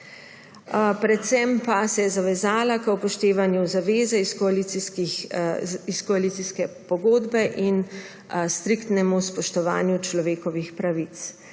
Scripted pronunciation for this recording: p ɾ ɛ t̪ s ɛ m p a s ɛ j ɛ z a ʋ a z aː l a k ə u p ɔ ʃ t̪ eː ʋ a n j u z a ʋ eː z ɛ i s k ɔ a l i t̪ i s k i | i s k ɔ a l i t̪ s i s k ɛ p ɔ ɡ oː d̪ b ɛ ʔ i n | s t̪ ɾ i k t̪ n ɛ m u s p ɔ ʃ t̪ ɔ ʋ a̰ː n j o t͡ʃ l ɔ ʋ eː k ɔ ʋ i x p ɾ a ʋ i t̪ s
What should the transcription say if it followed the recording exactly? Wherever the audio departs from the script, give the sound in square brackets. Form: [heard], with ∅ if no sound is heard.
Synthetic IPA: p ɾ ɛ t̪ s ɛ m p a s ɛ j ɛ z a ʋ [ɛ] z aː l a k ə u p ɔ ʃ t̪ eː ʋ a n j u z a ʋ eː z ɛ i s k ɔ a l i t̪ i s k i | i s k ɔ a l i t̪ s i s k ɛ p ɔ ɡ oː d̪ b ɛ ʔ i n | s t̪ ɾ i k t̪ n ɛ m u s p ɔ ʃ t̪ ɔ ʋ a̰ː n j [u] t͡ʃ l ɔ ʋ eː k ɔ ʋ i x p ɾ a ʋ i t̪ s